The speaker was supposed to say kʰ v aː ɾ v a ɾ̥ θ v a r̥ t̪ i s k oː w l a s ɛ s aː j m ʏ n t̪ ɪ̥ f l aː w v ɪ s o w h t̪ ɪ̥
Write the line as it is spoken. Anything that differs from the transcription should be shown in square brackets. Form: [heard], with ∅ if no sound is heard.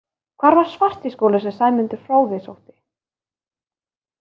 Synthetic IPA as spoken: kʰ v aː ɾ v a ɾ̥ [s] v a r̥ t̪ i s k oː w l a s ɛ s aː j m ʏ n t̪ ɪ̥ f [ɾ] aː w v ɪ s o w h t̪ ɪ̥